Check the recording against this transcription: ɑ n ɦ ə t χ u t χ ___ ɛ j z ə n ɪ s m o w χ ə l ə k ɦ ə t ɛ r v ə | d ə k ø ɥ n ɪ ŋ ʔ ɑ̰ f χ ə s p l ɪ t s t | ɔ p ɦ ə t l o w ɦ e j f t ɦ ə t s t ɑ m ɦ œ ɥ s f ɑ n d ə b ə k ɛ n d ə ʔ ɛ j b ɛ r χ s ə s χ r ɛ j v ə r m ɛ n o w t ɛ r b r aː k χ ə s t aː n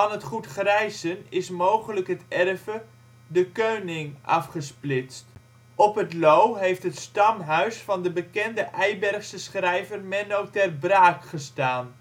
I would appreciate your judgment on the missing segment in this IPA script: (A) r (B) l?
A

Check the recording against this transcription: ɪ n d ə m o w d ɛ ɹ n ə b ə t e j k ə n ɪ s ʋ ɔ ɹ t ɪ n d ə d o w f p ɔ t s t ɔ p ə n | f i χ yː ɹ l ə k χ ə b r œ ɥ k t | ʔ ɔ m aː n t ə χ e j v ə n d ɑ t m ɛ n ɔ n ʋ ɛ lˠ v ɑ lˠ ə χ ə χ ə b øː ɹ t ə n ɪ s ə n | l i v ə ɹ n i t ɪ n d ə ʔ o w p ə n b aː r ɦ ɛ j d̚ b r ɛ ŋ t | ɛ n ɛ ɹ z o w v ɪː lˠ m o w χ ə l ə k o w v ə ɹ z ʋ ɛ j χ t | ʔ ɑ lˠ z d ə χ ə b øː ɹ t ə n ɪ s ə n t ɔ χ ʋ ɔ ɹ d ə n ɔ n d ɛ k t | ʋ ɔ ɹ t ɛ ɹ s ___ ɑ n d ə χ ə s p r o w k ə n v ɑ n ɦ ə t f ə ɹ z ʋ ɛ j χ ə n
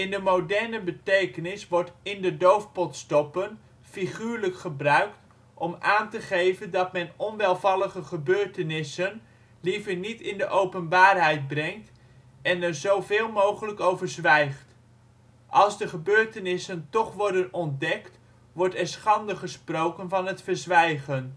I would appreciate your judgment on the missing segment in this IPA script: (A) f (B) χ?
B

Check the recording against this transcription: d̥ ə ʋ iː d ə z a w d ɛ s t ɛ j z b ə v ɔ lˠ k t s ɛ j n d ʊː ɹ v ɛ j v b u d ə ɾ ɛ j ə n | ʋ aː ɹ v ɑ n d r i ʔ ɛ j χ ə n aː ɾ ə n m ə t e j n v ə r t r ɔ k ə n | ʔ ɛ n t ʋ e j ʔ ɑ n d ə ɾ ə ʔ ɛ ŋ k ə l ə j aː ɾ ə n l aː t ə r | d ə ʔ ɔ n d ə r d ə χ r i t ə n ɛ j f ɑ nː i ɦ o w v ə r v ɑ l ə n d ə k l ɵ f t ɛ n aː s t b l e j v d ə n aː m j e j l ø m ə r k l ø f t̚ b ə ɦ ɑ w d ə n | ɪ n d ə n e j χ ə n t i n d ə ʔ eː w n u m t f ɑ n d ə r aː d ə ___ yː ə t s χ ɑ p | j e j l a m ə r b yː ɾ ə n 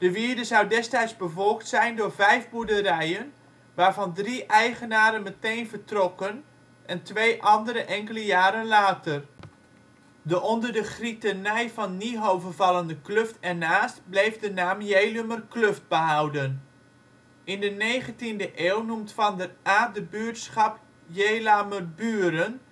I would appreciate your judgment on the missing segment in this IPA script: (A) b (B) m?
A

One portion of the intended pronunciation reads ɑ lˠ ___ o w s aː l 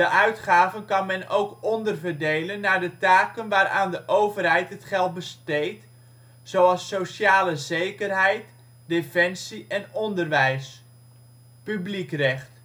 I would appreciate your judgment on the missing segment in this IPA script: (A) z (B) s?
B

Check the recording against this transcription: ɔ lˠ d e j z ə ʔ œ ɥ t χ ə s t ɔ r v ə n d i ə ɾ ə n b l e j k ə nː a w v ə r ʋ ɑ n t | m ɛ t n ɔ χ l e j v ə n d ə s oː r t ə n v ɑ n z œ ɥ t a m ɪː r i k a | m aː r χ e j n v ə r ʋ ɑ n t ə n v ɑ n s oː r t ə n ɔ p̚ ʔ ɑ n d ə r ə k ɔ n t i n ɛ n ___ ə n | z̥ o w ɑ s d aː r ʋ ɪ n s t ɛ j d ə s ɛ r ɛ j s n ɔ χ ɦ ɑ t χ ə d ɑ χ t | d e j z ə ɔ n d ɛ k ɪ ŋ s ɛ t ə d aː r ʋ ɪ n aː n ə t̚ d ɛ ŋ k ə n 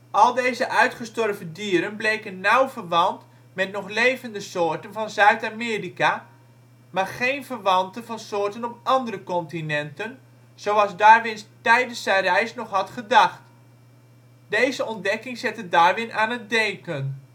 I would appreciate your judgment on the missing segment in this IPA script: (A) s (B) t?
B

